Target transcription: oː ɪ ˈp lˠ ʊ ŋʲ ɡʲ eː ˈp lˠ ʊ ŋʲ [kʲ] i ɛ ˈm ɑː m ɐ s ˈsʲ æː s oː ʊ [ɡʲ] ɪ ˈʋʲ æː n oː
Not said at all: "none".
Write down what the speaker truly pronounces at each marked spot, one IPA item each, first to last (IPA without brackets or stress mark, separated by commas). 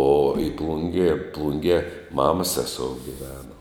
ɡʲ, ɡʲ